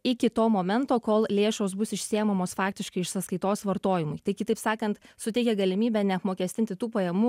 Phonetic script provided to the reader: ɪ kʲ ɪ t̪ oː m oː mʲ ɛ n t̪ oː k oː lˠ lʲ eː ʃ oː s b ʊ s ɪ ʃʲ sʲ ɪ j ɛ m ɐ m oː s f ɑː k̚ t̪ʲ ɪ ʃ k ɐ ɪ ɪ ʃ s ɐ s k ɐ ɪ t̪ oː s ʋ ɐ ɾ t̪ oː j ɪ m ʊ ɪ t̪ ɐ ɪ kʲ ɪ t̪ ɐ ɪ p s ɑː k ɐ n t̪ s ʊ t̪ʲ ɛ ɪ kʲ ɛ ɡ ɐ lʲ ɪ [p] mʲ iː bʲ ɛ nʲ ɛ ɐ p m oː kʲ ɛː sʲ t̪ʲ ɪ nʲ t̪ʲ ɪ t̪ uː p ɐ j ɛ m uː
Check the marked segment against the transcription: incorrect: none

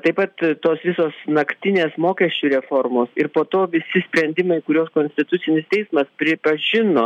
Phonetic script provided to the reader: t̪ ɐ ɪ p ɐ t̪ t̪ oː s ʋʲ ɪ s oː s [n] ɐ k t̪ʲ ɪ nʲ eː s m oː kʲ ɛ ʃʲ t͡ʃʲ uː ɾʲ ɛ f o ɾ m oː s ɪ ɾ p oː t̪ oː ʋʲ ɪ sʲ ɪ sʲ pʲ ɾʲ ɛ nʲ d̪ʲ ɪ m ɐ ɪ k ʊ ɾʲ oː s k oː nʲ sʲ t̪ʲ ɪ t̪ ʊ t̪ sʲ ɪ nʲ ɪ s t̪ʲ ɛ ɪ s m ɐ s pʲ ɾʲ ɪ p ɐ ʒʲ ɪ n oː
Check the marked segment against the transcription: correct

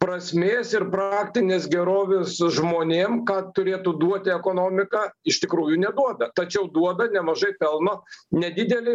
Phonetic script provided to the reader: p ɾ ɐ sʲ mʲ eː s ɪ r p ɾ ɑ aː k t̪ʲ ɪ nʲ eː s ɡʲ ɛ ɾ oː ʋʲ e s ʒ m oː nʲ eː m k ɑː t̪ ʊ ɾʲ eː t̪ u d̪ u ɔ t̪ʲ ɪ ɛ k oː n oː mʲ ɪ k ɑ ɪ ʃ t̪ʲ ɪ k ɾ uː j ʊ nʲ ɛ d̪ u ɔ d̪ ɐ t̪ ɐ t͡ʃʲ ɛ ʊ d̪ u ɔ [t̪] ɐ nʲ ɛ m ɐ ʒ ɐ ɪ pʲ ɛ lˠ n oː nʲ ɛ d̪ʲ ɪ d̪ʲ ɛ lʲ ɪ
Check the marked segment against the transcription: incorrect: d̪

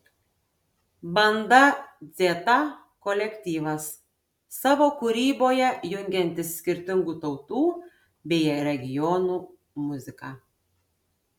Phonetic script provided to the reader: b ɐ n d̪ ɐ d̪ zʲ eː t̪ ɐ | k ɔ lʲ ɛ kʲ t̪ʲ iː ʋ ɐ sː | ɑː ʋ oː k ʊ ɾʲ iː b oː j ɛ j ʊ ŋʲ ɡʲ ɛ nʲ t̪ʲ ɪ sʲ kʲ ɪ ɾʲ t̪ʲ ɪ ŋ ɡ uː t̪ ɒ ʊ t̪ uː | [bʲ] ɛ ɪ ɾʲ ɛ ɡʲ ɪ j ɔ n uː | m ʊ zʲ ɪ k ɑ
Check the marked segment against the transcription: correct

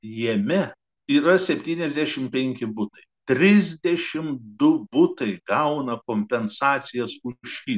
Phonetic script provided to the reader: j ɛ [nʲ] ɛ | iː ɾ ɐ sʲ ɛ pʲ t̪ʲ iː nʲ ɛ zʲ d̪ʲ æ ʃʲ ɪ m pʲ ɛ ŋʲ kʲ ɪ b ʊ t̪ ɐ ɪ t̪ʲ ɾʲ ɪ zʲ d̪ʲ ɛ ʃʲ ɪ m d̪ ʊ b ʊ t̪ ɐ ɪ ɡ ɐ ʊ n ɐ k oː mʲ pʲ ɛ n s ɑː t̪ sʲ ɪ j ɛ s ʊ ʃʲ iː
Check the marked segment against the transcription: incorrect: mʲ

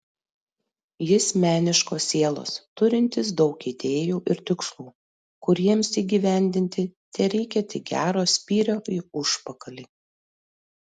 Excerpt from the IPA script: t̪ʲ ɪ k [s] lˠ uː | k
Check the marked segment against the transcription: correct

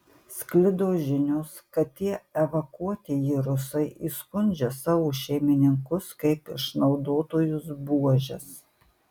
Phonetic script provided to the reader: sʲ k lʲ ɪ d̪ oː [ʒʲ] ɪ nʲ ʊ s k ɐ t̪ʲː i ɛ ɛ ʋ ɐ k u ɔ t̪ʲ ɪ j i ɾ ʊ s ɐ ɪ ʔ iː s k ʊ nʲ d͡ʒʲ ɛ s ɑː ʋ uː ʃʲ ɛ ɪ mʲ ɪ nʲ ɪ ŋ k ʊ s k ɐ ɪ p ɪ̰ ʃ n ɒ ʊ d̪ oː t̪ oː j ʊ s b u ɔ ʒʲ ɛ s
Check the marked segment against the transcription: correct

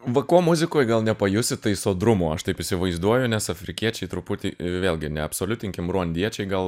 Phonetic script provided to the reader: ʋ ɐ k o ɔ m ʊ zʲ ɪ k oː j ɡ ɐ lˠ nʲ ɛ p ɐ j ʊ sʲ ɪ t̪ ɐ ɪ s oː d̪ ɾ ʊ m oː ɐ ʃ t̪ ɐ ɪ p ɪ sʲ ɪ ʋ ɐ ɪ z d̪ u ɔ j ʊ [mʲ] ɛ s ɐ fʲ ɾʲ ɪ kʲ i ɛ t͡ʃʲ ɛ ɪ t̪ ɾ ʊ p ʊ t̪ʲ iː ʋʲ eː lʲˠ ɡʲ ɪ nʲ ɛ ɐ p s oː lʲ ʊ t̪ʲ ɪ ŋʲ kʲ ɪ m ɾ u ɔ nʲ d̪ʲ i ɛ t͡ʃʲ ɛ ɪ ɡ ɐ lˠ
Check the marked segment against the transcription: incorrect: nʲ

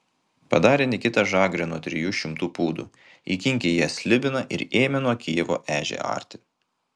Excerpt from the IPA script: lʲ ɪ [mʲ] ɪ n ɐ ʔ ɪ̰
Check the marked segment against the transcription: incorrect: bʲ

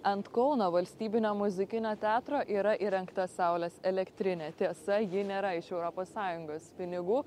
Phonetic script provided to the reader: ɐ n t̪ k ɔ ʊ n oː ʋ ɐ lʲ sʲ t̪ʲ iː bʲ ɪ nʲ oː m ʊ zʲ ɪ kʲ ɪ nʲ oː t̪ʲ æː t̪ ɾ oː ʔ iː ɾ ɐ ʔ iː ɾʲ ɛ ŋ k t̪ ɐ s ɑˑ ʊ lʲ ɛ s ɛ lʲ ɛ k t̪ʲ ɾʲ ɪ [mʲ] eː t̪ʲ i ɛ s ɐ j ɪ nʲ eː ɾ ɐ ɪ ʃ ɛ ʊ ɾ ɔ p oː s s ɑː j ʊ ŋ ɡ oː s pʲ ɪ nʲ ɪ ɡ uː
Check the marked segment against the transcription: incorrect: nʲ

